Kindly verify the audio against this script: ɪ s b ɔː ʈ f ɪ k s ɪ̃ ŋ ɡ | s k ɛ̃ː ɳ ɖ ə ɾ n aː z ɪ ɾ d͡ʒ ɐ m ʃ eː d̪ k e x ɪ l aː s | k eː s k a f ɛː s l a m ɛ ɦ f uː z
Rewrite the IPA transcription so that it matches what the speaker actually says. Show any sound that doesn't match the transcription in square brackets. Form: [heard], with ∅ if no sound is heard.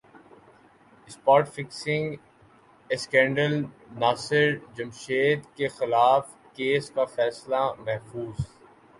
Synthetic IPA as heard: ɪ s [p] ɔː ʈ f ɪ k s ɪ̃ ŋ ɡ | s k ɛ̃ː ɳ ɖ ə [l] n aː [s] ɪ ɾ d͡ʒ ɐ m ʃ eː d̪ k e x ɪ l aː [f] | k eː s k a f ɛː s l a m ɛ ɦ f uː z